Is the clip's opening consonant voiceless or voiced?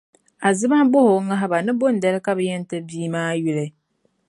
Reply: voiced